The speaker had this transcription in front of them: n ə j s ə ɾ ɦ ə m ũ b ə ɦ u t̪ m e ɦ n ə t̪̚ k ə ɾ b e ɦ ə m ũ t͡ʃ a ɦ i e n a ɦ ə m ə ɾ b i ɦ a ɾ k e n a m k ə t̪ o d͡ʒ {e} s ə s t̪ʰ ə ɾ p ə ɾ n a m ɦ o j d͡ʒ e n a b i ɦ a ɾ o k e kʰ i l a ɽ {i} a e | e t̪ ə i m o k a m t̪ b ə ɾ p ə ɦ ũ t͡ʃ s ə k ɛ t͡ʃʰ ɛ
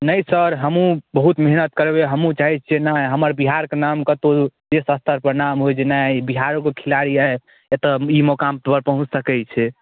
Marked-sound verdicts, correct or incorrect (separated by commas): correct, correct